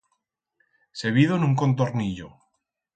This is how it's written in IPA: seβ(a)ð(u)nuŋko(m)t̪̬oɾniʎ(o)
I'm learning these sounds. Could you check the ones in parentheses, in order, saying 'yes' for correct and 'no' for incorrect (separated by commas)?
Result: no, no, no, yes